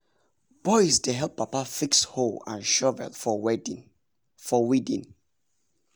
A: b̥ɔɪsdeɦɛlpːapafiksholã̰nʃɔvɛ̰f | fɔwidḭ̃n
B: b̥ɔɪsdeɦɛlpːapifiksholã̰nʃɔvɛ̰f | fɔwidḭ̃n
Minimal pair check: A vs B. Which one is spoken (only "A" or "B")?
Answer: A